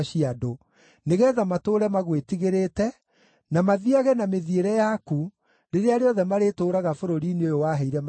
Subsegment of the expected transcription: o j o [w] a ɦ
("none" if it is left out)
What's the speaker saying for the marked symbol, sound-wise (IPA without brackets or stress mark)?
w